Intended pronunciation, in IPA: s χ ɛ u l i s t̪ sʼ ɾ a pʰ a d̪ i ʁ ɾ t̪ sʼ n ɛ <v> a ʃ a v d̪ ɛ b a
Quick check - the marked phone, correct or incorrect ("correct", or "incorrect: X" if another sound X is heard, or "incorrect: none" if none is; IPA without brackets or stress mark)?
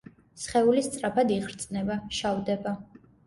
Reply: incorrect: b